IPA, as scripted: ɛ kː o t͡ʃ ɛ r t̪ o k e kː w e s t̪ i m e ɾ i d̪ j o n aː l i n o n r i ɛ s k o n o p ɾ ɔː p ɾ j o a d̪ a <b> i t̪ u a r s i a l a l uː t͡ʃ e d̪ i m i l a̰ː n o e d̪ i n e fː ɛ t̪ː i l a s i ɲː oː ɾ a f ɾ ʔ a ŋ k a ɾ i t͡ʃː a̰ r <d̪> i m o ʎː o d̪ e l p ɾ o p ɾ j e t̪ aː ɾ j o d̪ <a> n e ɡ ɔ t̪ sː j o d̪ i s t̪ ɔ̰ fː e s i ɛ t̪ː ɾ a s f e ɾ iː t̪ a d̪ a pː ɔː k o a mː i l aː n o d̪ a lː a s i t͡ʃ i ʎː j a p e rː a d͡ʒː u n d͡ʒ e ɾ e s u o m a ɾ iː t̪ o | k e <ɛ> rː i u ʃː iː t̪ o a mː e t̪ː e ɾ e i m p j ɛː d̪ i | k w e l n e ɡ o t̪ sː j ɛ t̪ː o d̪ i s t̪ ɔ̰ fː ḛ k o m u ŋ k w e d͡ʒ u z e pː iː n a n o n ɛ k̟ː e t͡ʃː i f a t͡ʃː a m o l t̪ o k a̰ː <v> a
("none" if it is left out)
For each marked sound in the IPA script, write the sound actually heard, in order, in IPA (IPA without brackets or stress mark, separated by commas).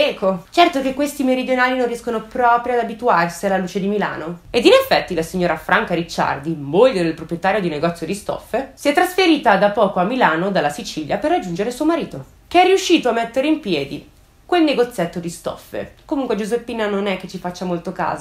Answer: b, d̪, i, ɛ, z